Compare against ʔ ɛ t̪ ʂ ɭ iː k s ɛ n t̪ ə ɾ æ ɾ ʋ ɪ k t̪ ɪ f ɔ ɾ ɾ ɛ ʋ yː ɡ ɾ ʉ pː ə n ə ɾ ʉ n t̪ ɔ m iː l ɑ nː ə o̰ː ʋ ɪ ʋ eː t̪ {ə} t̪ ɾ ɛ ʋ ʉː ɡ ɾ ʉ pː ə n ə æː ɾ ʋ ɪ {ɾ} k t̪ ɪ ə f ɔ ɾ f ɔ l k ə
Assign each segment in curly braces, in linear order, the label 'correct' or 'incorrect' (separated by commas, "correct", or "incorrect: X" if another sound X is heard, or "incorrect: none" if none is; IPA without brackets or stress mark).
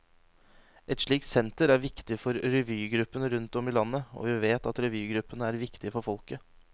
incorrect: ɑ, incorrect: none